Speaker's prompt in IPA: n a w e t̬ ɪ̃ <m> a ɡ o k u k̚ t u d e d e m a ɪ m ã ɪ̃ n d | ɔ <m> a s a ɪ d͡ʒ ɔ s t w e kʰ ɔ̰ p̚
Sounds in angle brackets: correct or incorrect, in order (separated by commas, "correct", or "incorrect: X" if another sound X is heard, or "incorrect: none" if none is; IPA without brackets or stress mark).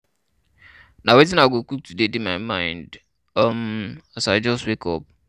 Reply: incorrect: n, correct